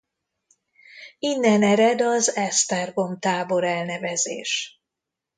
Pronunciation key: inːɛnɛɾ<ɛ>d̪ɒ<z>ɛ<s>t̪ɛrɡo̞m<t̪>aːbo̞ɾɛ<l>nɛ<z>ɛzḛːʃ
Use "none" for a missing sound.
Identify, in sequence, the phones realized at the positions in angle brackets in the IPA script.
ɛ, z, s, t̪, l, v

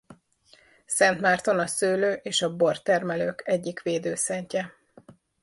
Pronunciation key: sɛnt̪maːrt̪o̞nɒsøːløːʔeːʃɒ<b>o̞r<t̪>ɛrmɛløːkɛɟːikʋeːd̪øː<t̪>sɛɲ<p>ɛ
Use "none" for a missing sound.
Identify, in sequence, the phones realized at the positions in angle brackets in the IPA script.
b, t̪, none, c

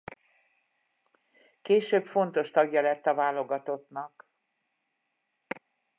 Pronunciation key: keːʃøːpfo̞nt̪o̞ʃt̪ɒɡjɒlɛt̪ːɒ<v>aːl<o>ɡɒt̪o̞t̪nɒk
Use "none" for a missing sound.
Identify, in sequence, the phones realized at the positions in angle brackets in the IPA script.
v, o

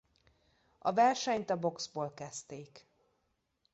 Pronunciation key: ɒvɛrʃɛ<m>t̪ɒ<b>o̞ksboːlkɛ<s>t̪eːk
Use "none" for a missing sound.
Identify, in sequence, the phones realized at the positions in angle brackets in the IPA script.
ɲ, b, s

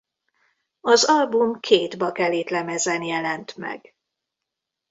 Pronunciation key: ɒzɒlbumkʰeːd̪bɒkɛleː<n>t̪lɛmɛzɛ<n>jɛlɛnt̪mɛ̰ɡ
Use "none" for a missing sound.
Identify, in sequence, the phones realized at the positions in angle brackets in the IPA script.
none, n

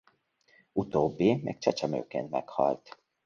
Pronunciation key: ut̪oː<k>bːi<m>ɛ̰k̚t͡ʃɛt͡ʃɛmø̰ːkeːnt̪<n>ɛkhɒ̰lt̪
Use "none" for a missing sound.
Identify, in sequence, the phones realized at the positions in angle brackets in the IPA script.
none, m, m

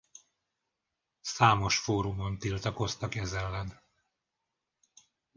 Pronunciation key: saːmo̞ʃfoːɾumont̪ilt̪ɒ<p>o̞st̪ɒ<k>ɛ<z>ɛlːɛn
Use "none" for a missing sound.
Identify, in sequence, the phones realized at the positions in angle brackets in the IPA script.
k, k, z

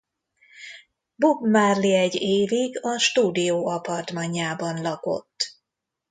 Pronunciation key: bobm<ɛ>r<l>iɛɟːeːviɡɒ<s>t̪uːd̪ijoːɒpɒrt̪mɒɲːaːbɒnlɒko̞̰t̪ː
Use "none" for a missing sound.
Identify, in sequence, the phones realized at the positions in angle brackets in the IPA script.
a, l, ʃ

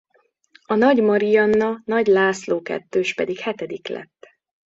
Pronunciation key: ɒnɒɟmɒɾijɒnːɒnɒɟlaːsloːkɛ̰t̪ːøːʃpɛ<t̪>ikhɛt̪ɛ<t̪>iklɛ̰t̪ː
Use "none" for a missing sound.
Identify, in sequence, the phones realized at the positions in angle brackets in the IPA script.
d̪, d̪

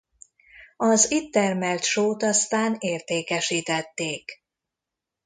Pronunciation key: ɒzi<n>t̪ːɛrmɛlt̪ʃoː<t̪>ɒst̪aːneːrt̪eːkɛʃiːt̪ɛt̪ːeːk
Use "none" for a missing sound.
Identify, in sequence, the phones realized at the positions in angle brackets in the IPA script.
none, t̪

